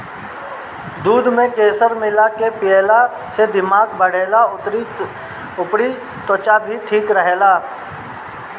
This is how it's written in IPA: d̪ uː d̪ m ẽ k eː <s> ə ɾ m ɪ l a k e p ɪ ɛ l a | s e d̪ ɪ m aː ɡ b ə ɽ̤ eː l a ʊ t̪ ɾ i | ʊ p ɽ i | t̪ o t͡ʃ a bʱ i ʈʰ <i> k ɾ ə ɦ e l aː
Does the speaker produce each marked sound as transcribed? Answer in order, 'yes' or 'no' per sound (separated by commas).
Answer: yes, no